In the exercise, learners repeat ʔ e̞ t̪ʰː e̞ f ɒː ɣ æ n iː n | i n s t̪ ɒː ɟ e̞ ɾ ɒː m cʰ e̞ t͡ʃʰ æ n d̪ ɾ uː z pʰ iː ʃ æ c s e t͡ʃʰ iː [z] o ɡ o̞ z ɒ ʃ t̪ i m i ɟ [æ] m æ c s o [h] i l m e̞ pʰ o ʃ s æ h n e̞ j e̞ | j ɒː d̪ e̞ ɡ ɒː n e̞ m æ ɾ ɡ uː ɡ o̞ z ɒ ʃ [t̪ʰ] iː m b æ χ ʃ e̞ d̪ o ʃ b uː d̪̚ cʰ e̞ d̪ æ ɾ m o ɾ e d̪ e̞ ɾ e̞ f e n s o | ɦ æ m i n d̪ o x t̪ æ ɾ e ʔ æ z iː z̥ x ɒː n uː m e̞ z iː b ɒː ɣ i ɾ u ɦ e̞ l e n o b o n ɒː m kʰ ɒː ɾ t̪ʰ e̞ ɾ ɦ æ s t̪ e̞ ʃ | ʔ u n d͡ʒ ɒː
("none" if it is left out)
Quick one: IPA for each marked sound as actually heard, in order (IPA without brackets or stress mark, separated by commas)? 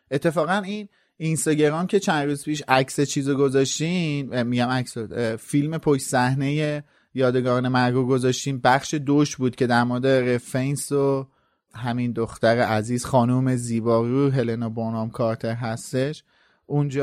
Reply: z, æ, f, t̪